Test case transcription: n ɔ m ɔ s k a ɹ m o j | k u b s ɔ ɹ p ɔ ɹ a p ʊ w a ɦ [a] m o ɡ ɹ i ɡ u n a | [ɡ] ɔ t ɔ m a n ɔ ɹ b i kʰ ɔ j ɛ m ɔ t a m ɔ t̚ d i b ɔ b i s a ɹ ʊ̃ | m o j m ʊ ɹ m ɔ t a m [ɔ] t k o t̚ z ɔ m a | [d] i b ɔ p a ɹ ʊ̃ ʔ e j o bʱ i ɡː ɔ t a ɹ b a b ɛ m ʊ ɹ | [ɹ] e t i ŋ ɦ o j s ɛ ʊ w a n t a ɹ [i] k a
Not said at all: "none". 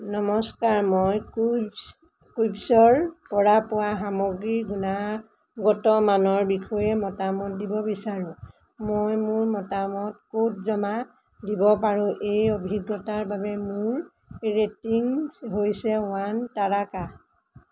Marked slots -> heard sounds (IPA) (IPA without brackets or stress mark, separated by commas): a, ɡ, ɔ, d, ɹ, a